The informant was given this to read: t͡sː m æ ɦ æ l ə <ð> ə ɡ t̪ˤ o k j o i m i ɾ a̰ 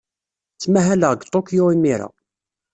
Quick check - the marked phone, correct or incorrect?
incorrect